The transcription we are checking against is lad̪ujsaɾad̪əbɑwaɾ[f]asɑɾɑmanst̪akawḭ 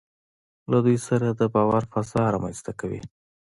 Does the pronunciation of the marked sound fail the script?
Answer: no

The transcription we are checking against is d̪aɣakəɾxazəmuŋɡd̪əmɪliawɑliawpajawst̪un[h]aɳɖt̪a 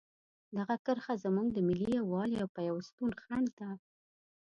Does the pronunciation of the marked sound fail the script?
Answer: yes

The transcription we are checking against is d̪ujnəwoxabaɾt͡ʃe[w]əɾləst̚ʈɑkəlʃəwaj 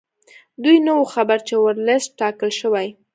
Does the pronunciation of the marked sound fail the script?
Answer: no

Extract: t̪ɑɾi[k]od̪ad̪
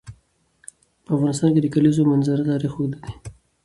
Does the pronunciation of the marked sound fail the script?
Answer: yes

